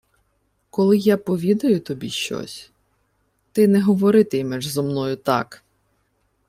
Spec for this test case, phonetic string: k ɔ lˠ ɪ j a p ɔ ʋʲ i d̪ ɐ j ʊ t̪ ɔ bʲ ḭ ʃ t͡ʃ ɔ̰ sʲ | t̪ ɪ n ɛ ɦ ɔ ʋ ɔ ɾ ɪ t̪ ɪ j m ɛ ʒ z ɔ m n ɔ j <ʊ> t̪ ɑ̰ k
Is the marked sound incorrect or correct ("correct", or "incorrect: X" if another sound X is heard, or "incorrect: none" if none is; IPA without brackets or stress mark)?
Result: correct